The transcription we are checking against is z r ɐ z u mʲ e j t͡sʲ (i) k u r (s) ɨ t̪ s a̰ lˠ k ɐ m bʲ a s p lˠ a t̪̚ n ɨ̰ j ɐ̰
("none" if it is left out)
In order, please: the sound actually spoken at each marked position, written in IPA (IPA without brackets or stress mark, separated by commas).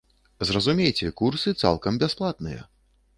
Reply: ɛ, s